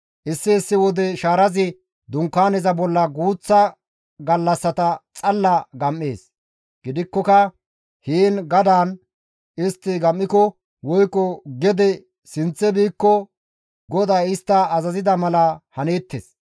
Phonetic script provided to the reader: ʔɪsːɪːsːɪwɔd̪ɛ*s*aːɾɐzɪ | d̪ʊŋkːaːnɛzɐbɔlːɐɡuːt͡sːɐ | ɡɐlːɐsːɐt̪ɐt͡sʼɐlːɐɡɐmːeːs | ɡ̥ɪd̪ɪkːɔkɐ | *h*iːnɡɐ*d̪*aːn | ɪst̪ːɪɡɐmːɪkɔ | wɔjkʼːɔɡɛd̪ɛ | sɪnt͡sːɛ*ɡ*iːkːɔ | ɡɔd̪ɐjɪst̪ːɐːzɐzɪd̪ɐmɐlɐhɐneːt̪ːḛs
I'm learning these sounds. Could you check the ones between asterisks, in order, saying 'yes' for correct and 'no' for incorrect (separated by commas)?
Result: no, yes, yes, no